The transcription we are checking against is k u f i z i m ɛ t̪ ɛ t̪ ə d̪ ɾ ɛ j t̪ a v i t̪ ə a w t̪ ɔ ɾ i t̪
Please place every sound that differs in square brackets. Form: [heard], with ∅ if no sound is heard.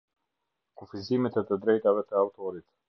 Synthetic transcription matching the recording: k u f i z i m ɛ t̪ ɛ t̪ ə d̪ ɾ ɛ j t̪ a v [ɛ] t̪ ə a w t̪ ɔ ɾ i t̪